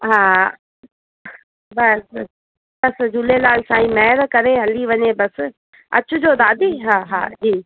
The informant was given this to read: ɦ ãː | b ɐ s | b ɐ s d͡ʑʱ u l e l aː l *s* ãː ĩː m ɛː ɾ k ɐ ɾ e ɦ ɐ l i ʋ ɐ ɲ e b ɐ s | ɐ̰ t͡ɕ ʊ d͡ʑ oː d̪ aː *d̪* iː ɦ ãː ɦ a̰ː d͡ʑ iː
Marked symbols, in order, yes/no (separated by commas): yes, yes